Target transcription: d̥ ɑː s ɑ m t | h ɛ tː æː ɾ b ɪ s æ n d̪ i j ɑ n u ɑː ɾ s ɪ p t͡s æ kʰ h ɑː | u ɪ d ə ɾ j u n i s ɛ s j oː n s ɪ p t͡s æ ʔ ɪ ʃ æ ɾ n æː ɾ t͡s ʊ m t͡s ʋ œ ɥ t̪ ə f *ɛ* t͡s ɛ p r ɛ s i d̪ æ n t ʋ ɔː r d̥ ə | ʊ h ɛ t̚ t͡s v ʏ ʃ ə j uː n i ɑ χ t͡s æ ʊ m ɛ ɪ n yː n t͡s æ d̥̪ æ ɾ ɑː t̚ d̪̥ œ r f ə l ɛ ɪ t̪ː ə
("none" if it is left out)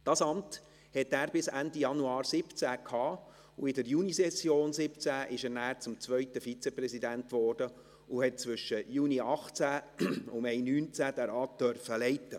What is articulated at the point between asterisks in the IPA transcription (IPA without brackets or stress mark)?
i